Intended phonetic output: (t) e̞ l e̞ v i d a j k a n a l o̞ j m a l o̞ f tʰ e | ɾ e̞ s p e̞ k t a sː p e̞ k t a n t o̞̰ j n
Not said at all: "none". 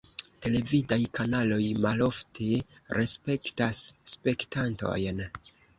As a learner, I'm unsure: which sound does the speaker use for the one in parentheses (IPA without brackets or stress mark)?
t